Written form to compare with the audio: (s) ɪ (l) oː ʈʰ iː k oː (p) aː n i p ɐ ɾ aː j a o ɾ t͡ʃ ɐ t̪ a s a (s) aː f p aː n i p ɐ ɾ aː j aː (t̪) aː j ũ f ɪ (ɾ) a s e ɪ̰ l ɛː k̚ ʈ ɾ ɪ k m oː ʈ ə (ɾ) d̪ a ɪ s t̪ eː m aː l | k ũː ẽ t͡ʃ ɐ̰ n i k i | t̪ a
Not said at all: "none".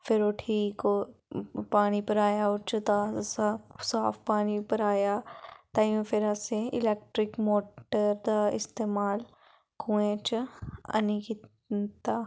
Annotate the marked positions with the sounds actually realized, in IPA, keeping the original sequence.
f, ɾ, p, s, t̪, ɾ, ɾ

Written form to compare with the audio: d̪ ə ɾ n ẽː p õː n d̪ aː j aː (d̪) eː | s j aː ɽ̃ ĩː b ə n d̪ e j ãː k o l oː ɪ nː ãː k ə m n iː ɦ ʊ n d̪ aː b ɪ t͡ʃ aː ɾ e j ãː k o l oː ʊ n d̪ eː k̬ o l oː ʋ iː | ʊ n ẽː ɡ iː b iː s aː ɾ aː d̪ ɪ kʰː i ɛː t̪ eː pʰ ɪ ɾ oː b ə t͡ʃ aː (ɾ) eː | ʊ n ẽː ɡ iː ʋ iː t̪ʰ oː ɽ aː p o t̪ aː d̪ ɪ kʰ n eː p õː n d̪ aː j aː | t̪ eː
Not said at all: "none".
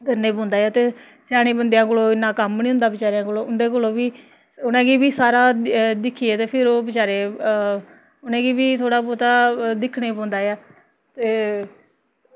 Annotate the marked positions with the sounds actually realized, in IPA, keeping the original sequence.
t̪, ɾ

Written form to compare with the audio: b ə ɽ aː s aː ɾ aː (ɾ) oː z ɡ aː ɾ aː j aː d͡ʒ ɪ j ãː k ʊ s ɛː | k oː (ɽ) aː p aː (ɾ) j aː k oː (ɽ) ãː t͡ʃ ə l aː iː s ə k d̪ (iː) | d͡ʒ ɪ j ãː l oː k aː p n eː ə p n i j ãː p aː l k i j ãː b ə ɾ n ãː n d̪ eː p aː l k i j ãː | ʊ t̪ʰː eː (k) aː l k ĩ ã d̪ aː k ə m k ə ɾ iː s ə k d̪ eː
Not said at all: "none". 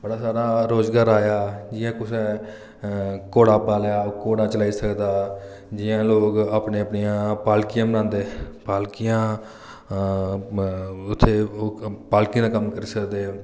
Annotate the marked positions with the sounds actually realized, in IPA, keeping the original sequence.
ɾ, ɽ, l, ɽ, aː, p

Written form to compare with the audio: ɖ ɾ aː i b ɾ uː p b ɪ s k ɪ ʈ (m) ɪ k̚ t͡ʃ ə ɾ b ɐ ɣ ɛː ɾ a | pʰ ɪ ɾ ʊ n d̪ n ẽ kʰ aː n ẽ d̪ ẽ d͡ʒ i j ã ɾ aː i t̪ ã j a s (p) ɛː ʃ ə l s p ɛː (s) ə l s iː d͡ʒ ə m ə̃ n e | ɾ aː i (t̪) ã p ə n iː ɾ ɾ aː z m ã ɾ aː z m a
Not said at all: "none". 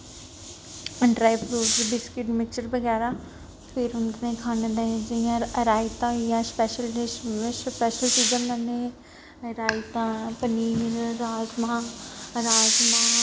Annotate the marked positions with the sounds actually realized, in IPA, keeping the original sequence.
m, p, ʃ, t̪

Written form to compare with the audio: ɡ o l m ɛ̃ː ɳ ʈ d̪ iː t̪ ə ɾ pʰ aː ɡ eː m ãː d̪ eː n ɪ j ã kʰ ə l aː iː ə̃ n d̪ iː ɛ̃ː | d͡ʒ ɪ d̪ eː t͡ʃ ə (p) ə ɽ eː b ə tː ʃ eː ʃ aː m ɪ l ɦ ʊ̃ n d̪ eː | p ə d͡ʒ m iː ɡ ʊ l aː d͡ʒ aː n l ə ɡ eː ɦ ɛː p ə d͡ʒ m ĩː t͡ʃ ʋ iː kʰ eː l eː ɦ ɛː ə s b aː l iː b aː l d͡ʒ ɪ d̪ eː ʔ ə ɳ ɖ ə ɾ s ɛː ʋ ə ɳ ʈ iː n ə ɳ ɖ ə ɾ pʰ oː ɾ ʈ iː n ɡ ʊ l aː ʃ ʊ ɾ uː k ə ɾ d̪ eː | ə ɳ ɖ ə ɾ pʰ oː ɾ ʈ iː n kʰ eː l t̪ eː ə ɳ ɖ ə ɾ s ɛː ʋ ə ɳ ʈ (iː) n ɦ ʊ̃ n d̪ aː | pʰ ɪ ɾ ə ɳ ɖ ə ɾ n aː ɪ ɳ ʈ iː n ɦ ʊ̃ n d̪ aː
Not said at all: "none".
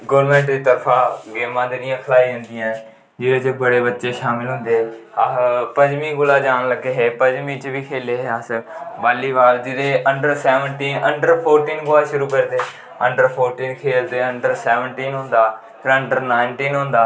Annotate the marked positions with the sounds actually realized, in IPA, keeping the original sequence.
b, iː

